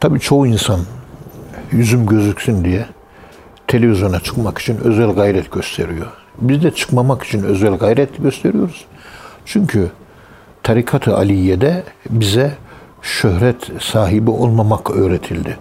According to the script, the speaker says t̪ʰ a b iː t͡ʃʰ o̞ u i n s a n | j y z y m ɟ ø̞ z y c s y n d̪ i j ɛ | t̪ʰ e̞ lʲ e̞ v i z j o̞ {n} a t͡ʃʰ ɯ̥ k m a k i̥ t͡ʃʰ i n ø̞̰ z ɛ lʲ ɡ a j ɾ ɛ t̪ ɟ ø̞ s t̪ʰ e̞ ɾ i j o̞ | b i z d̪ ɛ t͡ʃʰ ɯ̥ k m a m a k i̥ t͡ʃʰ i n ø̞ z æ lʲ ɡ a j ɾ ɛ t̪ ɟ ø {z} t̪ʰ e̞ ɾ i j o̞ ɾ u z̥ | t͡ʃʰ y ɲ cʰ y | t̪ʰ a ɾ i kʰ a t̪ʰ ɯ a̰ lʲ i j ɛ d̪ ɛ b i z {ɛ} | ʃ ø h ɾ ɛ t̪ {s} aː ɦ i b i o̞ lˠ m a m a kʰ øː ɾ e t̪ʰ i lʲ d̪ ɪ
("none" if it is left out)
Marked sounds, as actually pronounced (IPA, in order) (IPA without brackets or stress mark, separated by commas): n, s, ɛ, s